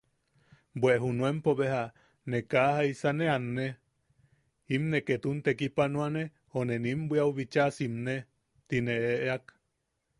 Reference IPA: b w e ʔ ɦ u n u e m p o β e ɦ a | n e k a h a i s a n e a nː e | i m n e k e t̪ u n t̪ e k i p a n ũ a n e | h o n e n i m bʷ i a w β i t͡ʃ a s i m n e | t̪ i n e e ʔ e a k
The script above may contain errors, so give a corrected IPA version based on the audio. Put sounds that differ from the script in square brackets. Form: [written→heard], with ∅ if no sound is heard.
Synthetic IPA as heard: b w e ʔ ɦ u n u e m p o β e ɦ a | n e k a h a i s a n e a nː e | i m n e k e t̪ u n t̪ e k i p a n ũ a n e | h o n e n i m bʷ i a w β i t͡ʃ a s i m n e | t̪ i n e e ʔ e a k

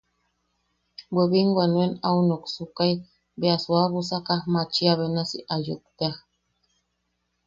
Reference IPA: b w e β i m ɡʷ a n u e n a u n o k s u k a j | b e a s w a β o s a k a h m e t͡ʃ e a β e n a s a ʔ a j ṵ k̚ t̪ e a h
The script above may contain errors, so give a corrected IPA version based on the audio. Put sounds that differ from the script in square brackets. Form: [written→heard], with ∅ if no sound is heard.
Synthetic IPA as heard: b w e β i [m→ŋ] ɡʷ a n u e n a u n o k s u k a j | b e a s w a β [o→u] s a k a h m [e→a] t͡ʃ [e→i] a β e n a s [a→i] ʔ a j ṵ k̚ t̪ e a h

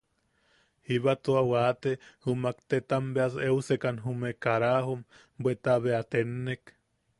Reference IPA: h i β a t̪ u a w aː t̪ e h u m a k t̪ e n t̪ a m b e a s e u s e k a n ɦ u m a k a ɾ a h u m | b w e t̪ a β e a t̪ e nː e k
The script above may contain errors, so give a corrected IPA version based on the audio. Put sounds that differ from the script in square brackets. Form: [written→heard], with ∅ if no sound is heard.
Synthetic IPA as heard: h i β a t̪ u a w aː t̪ e h u m a k t̪ e [n→∅] t̪ a m b e a s e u s e k a n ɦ u m [a→e] k a ɾ a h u m | b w e t̪ a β e a t̪ e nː e k

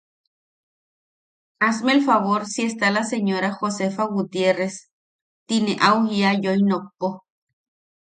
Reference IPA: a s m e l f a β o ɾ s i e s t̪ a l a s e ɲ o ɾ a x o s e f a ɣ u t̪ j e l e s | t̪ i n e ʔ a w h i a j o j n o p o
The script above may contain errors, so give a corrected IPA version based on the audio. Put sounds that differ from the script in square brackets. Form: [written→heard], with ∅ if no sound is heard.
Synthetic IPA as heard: a s m e l f a β o ɾ s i e s t̪ a l a s e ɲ o ɾ a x o s e f a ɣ u t̪ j e [l→r] e s | t̪ i n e ʔ a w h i a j o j n o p o

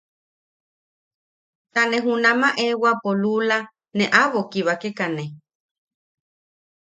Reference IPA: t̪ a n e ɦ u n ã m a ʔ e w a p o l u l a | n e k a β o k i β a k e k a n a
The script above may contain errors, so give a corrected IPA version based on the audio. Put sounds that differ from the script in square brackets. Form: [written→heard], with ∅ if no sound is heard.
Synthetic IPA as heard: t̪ a n e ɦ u n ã m a ʔ e w a p o l u l a | n e [k→ʔ] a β o k i β a k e k a n [a→e]

